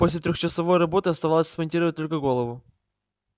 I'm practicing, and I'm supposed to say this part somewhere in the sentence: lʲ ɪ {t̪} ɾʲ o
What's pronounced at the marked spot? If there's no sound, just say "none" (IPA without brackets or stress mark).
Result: t̪